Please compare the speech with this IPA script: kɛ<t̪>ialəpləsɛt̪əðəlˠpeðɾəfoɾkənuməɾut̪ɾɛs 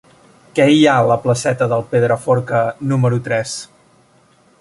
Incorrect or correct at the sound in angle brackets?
incorrect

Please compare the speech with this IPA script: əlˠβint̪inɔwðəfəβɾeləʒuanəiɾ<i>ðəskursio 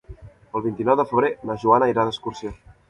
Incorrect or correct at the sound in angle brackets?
incorrect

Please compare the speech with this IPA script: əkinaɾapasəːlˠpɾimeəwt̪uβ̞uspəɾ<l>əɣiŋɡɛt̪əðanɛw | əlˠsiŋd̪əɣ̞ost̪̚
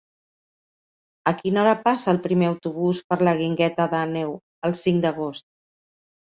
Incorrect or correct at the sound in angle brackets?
correct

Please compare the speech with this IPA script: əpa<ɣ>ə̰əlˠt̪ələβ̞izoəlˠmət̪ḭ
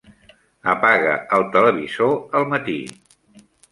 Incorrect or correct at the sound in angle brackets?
correct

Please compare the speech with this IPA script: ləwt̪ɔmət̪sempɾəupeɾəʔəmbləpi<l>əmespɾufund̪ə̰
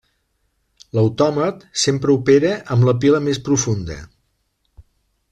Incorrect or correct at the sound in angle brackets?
correct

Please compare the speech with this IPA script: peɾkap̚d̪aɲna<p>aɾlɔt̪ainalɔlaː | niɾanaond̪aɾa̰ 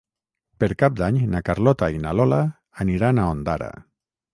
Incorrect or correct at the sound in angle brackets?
incorrect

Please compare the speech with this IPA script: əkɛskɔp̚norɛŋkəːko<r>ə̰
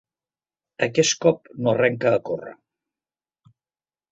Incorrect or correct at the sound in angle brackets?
correct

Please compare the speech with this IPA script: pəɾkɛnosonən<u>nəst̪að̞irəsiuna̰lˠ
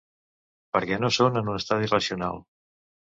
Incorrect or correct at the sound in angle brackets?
correct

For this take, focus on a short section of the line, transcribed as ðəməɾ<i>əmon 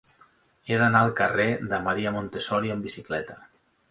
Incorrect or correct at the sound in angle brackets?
correct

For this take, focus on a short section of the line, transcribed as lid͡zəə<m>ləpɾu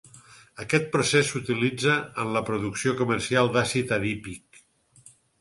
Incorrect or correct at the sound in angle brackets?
incorrect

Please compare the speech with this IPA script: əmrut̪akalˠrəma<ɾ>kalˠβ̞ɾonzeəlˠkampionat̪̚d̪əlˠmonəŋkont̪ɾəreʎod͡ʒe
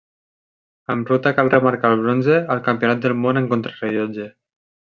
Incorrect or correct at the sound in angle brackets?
correct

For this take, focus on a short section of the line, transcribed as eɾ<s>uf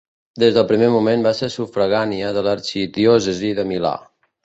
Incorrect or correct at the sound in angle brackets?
correct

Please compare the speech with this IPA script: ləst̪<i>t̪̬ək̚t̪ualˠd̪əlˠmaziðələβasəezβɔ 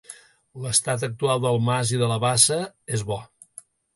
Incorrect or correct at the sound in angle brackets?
incorrect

